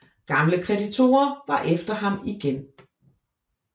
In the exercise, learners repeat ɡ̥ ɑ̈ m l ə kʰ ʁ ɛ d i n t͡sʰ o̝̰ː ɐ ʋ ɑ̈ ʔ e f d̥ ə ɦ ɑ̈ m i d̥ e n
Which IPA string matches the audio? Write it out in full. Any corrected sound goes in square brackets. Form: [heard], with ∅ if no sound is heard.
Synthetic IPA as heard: ɡ̥ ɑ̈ m l ə kʰ ʁ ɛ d i [∅] t͡sʰ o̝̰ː ɐ ʋ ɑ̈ ʔ e f d̥ [ɐ] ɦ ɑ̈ m i [ɡ̥] e n